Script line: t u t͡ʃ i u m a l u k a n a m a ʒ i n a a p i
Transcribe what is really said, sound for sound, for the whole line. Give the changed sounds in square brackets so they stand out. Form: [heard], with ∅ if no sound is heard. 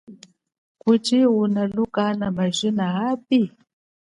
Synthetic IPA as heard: [k] u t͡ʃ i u [n] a l u k a n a m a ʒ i n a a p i